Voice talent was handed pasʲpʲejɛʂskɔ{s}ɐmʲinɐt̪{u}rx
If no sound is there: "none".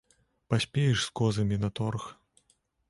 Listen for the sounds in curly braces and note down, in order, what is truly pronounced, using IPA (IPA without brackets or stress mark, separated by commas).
z, ɔ